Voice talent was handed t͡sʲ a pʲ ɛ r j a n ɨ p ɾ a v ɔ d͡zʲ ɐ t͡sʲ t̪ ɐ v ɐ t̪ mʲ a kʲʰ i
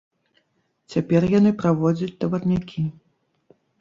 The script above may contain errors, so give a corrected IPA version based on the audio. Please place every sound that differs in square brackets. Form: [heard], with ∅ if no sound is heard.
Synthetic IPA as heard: t͡sʲ a pʲ ɛ r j a n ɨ p ɾ a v ɔ d͡zʲ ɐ t͡sʲ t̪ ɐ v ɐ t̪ [nʲ] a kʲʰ i